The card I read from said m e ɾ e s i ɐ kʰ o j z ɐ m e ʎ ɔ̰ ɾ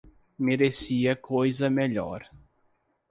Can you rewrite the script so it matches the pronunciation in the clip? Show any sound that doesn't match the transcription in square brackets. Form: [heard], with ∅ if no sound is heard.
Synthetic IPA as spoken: m e ɾ e s i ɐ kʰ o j z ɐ m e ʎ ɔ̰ ɾ